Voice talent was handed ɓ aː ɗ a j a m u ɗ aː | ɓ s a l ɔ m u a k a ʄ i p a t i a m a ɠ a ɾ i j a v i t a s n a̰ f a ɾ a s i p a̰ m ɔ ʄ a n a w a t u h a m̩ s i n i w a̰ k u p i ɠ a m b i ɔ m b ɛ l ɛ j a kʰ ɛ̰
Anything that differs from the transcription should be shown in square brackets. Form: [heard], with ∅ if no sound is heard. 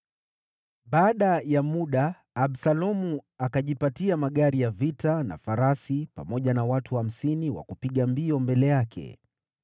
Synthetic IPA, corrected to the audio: ɓ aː ɗ a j a m u ɗ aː | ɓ s a l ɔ m u a k a ʄ i p a t i a m a ɠ a ɾ i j a v i t a [∅] n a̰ f a ɾ a s i p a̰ m ɔ ʄ a n a w a t u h a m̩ s i n i w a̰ k u p i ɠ a m b i ɔ m b ɛ l ɛ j a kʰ ɛ̰